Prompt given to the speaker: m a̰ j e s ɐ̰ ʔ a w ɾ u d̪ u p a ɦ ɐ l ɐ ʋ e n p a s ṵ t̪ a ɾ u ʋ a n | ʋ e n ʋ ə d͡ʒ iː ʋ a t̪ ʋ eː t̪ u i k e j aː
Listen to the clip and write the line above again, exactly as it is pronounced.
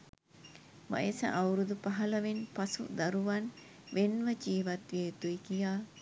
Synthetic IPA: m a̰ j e s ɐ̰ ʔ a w ɾ u d̪ u p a ɦ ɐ l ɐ ʋ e n p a s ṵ d̪ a ɾ u ʋ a n | ʋ e n ʋ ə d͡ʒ iː ʋ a t̪ ʋ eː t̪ u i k i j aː

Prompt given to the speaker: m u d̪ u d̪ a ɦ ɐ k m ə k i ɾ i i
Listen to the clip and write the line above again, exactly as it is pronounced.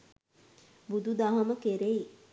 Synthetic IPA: b u d̪ u d̪ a ɦ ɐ m ə k e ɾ e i

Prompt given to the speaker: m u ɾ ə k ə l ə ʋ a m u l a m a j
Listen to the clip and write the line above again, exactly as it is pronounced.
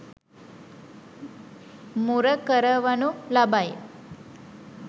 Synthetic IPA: m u ɾ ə k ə ɾ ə ʋ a n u l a b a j

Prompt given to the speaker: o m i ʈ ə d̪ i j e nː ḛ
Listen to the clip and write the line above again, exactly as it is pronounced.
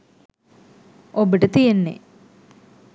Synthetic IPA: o b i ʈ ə t̪ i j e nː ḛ

